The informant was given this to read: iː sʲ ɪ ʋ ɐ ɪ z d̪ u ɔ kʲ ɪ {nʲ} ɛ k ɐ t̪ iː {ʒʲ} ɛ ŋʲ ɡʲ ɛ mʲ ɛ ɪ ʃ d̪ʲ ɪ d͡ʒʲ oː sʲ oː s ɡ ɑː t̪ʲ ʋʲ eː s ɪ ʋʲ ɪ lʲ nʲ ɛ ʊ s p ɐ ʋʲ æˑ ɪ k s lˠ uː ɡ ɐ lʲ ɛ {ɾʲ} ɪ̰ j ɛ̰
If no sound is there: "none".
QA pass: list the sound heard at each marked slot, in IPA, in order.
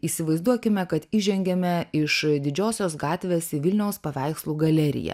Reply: mʲ, ʒʲ, ɾʲ

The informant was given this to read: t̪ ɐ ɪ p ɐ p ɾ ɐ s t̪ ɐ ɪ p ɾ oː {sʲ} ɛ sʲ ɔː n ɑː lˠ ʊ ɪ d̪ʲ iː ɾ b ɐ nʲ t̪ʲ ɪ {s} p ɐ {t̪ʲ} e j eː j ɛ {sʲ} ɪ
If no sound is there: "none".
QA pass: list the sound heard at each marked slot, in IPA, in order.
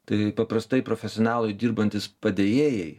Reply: fʲ, s, d̪ʲ, none

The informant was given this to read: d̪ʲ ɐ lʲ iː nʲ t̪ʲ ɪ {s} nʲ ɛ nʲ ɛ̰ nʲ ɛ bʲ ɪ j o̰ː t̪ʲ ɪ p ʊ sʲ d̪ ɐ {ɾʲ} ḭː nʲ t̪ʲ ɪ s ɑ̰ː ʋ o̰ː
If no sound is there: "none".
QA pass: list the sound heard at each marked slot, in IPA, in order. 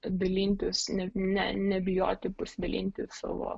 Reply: s, lʲ

